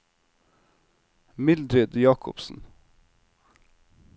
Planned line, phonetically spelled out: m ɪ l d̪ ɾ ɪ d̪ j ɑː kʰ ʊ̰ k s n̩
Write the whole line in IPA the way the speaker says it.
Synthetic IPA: m ɪ l d̪ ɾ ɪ d̪ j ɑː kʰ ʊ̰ p s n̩